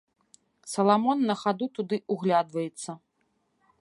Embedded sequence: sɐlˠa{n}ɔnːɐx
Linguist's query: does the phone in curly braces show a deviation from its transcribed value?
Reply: yes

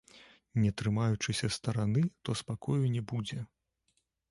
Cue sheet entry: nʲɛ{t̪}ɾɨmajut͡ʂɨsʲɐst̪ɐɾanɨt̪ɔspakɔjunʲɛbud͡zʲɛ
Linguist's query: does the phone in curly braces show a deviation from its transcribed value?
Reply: no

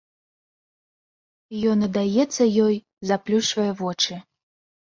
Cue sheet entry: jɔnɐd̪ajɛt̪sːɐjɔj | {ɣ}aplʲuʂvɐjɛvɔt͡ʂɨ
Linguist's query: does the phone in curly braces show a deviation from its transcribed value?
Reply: yes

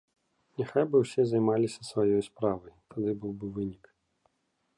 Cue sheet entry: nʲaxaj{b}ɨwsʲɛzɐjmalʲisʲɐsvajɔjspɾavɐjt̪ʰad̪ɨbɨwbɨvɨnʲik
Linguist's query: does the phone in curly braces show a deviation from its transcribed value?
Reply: no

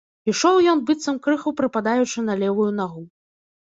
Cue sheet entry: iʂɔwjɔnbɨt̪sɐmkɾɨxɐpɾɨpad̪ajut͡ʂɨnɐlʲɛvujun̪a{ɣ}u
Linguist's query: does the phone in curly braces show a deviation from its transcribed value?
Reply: no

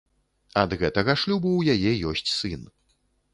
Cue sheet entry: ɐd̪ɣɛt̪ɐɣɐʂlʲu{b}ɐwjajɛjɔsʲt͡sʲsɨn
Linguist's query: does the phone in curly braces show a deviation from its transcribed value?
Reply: no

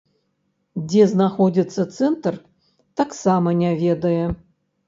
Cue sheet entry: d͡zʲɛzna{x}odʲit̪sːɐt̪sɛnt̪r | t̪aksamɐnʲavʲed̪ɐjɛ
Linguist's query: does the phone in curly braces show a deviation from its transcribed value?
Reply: no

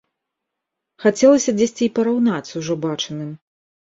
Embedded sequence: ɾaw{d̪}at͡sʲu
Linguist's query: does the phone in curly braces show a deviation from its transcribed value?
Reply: yes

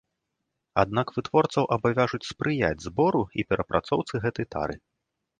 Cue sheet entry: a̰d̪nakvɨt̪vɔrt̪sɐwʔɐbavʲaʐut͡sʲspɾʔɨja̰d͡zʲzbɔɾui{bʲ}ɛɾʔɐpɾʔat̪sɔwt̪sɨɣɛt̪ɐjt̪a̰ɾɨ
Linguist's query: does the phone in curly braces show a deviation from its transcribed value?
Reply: yes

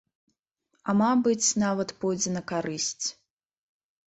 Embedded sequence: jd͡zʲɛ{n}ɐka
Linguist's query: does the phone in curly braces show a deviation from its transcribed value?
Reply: no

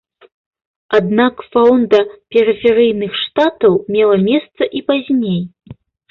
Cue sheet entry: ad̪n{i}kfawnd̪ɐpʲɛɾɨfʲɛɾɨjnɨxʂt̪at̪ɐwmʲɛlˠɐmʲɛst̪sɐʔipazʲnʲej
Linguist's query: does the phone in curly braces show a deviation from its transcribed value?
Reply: yes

